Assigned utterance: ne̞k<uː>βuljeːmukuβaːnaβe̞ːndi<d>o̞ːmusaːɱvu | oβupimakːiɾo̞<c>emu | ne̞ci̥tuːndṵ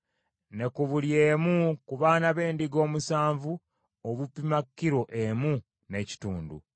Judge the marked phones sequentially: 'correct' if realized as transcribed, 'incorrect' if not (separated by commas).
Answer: incorrect, incorrect, incorrect